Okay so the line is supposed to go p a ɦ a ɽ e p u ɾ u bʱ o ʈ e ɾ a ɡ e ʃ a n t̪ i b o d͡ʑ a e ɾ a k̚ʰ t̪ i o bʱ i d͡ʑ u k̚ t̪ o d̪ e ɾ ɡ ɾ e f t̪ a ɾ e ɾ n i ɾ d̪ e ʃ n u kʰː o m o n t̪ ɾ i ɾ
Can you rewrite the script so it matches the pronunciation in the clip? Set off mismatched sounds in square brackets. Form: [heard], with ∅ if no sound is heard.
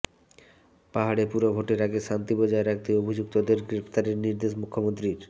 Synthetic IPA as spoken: p a ɦ a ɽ e p u ɾ [o] bʱ o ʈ e ɾ a ɡ e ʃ a n t̪ i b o d͡ʑ a e ɾ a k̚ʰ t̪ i o bʱ i d͡ʑ u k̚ t̪ o d̪ e ɾ ɡ ɾ e f t̪ a ɾ e ɾ n i ɾ d̪ e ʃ [m] u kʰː o m o n t̪ ɾ i ɾ